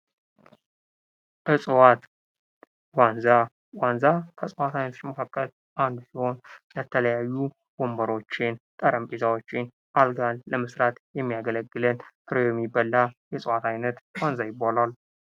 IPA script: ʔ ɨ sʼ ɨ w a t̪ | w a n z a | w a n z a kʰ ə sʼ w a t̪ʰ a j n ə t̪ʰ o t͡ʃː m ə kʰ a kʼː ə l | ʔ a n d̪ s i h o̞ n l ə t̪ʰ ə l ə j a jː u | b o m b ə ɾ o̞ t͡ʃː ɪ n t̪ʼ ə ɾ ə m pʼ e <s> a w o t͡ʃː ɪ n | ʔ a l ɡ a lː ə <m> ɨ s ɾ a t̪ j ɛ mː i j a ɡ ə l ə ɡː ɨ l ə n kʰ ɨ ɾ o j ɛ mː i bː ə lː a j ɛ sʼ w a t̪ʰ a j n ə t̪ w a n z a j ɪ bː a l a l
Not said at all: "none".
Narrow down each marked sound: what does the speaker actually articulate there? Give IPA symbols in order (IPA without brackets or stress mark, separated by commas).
z, m